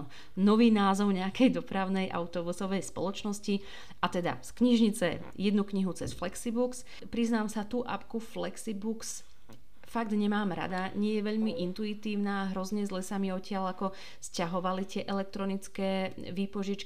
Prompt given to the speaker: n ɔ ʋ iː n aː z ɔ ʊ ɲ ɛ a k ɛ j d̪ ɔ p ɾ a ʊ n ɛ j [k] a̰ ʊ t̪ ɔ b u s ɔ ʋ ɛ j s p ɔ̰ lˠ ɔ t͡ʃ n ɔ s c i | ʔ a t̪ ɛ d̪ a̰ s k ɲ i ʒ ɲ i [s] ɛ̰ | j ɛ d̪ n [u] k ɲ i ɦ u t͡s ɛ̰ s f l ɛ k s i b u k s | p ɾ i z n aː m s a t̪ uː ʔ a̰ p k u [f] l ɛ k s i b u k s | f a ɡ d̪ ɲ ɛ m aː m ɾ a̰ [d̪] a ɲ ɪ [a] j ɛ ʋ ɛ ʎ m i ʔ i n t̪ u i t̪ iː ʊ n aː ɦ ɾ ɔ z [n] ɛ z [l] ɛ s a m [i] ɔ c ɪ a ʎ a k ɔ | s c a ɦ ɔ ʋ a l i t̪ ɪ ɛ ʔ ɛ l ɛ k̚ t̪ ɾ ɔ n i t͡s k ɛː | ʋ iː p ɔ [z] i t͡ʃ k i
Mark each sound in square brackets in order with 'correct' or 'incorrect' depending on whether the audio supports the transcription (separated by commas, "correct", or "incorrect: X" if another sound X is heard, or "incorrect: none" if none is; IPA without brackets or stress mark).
incorrect: ʔ, incorrect: t͡s, correct, correct, correct, incorrect: ɛ, incorrect: ɲ, correct, correct, incorrect: ʒ